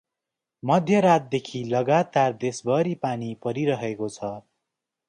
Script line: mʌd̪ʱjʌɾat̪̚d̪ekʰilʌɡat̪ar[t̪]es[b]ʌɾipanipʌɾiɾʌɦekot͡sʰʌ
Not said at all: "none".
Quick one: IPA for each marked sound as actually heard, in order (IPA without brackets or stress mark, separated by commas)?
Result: d̪, b